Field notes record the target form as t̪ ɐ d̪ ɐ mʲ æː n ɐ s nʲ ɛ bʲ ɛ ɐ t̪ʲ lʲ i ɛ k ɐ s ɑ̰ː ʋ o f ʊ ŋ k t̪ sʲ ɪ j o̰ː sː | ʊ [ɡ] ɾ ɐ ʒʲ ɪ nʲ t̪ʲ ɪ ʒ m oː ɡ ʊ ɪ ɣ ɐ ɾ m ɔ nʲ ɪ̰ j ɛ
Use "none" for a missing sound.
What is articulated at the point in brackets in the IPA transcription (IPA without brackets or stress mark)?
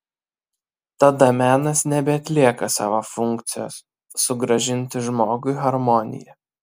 ɡ